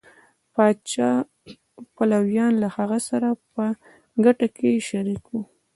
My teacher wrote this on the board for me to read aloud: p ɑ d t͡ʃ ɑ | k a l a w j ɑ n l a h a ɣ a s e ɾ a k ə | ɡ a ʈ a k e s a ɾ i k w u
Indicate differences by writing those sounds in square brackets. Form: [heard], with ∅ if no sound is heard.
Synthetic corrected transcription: p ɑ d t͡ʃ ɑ | [p] a l a w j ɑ n l a h a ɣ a s [a] ɾ a [p] ə | ɡ a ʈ a k e [ʃ] a ɾ i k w u